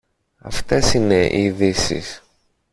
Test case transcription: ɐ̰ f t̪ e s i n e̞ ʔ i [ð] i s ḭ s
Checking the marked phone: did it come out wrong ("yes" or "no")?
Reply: no